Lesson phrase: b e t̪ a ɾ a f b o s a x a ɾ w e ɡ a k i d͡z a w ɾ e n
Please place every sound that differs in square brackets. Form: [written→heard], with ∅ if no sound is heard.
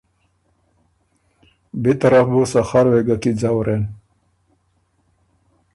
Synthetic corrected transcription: b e t̪ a ɾ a f b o s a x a ɾ w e ɡ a k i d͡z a w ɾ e n